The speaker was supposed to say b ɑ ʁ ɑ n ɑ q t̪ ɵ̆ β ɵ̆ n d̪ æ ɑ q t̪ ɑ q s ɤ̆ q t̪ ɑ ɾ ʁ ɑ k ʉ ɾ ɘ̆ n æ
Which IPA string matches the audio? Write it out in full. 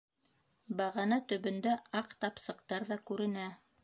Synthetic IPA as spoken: b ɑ ʁ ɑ n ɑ t̪ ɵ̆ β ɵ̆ n d̪ æ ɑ q t̪ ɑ p s ɤ̆ q t̪ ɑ ɾ ð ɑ k ʉ ɾ ɘ̆ n æ